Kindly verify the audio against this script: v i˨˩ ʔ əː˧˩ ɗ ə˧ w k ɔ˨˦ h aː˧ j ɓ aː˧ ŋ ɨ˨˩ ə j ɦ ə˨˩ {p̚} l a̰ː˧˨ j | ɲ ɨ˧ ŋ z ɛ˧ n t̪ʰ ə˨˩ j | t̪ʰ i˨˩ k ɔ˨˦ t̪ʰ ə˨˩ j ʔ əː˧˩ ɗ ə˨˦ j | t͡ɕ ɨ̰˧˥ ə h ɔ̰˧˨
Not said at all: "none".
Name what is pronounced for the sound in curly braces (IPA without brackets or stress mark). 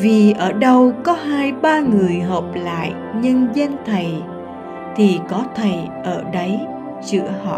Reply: p̚